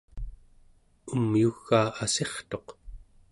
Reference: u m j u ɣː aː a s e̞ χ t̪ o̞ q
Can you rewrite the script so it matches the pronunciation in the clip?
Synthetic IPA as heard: u m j u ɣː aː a s e̞ χ t̪ o̞ q